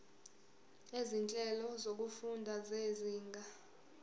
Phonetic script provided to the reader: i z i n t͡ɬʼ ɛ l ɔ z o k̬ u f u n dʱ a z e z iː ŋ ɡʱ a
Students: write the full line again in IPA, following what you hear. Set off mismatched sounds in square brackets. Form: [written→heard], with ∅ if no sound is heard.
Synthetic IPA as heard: [i→e] z i n t͡ɬʼ ɛ l ɔ z o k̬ u f u n dʱ a z e z iː ŋ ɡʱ a